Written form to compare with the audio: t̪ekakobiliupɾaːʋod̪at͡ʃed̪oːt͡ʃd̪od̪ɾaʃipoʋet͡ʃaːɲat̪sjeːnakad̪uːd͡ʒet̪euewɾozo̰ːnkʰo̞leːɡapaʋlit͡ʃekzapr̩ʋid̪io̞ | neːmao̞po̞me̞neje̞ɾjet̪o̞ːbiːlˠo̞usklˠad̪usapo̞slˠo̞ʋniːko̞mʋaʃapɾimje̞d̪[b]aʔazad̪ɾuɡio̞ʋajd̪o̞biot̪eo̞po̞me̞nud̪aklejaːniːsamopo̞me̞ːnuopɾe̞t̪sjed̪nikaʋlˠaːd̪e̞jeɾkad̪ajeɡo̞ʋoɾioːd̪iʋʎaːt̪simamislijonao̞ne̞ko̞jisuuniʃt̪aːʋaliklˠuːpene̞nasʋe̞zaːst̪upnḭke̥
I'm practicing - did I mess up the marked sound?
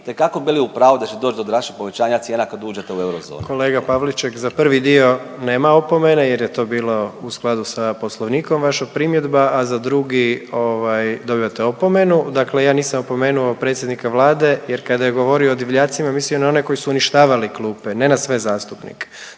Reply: no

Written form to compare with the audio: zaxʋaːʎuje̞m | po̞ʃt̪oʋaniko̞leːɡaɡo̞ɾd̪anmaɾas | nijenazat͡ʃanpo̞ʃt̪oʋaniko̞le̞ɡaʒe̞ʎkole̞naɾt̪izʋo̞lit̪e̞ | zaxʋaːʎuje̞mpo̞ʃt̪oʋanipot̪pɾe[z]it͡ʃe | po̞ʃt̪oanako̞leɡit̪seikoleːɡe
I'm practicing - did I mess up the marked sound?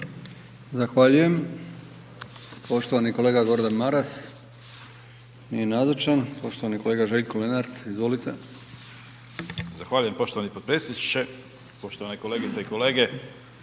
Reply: yes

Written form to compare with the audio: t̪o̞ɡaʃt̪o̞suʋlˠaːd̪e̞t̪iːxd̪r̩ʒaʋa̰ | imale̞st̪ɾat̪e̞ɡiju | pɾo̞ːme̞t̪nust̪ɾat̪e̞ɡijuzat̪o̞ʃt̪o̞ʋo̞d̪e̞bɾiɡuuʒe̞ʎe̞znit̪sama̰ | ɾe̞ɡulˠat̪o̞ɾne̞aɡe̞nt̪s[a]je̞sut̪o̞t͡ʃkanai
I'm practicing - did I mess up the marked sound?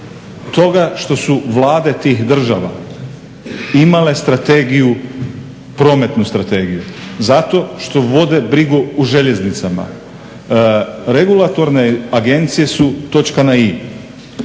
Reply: yes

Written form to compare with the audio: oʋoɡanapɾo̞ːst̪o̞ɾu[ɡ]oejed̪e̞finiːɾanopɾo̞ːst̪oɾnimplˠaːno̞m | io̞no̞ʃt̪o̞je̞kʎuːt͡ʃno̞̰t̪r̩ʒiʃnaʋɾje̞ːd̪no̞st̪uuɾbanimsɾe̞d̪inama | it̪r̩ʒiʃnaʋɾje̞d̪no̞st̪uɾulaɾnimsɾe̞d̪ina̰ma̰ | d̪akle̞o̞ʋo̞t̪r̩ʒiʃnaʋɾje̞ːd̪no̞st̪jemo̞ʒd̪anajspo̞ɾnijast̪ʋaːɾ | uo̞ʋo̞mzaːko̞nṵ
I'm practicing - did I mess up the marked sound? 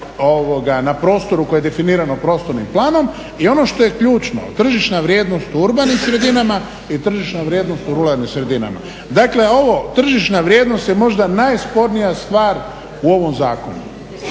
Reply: yes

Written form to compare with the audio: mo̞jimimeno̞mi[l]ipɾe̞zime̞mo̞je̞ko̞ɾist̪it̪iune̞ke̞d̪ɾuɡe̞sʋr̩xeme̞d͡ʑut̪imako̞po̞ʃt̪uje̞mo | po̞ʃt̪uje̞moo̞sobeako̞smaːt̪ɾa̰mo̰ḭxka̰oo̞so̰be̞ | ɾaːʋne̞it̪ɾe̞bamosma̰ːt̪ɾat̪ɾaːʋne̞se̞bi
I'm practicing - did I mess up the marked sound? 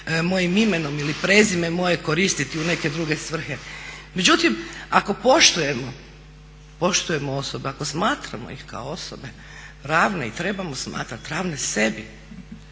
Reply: no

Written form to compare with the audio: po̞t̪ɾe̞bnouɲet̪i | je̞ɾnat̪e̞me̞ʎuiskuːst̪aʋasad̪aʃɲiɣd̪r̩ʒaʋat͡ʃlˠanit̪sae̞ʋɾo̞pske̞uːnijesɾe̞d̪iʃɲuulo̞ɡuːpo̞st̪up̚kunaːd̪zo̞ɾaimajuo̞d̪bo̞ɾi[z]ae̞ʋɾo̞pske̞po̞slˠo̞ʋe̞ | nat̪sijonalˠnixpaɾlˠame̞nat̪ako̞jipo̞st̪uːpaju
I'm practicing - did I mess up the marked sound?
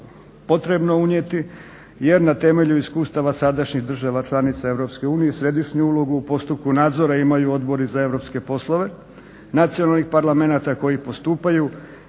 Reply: no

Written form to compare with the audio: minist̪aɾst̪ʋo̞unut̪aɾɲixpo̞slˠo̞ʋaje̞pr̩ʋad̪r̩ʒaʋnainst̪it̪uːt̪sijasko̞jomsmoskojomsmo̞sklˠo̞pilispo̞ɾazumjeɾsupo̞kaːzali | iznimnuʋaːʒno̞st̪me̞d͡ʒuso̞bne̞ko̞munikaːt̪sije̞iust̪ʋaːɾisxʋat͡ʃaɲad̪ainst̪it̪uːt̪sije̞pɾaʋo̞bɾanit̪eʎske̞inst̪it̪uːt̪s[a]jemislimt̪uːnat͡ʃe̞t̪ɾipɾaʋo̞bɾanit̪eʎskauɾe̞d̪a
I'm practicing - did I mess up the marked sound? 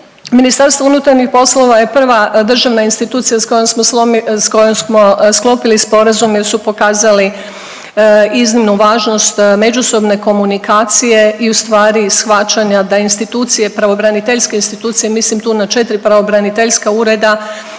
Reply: yes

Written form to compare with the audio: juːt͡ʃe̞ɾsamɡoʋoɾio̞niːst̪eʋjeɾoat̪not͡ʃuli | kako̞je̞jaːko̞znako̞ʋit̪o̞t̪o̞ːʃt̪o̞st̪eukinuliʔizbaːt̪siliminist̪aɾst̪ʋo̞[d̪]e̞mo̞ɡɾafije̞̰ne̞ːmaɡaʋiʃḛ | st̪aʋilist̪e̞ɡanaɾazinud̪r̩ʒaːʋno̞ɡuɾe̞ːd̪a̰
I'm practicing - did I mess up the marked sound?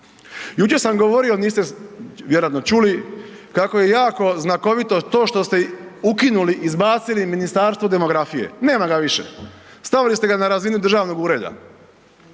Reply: no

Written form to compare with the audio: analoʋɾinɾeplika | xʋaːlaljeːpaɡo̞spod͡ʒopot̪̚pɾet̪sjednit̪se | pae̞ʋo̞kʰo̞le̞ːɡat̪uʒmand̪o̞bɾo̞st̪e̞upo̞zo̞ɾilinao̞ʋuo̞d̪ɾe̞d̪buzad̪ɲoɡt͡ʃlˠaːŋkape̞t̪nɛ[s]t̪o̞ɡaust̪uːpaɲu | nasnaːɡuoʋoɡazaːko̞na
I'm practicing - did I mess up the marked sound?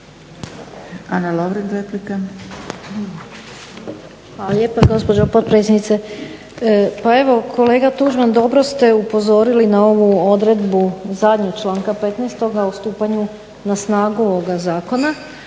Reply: no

